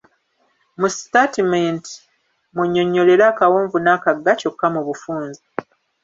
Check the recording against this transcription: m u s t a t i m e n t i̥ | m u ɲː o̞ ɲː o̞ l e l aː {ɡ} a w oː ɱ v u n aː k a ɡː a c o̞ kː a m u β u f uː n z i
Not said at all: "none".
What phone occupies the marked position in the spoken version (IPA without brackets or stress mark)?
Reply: k